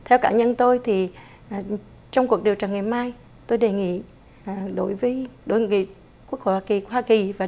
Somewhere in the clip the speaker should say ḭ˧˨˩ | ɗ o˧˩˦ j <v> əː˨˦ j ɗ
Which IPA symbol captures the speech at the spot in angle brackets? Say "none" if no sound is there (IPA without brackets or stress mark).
v